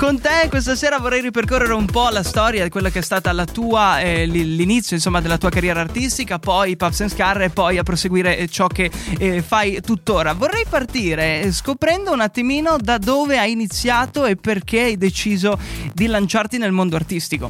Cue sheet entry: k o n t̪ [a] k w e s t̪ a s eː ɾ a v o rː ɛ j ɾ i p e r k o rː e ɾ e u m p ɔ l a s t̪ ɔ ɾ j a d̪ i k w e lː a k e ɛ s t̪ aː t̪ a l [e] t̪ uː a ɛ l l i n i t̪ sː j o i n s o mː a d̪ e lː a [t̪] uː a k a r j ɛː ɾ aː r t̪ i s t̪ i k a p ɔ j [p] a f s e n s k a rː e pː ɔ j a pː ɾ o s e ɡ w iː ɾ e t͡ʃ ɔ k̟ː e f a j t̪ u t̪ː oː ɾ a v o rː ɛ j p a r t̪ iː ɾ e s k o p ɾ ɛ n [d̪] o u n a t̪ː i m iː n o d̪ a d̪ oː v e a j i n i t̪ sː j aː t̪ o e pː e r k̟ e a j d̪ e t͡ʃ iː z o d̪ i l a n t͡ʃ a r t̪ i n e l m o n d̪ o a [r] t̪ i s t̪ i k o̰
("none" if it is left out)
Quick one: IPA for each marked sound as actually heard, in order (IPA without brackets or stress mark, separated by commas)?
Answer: e, a, t̪, p, d̪, r